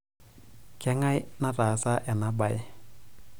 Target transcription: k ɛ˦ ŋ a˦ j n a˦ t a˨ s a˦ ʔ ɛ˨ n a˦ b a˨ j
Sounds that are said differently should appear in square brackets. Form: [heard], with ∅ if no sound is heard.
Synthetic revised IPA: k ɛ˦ ŋ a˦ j n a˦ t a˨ s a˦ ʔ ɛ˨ n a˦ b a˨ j